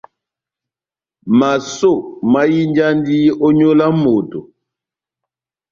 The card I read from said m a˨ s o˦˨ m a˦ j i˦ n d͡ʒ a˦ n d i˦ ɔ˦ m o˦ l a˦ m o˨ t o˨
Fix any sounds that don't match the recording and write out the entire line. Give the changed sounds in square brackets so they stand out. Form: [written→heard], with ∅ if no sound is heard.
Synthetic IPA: m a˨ s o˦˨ m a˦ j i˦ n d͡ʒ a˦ n d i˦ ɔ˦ [m→ɲ] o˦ l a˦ m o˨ t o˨